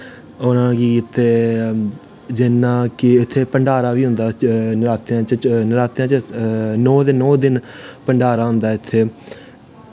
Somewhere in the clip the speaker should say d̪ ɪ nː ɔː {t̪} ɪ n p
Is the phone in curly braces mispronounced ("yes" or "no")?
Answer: yes